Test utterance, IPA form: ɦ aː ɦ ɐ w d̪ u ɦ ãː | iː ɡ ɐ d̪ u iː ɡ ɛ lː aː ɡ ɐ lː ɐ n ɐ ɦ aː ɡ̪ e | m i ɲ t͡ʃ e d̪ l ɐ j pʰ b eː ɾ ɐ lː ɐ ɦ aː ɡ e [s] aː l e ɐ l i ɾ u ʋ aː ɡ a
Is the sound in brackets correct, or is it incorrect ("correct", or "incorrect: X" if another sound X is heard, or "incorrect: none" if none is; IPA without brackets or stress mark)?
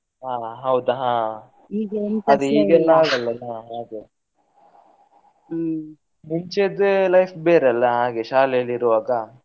incorrect: ʃ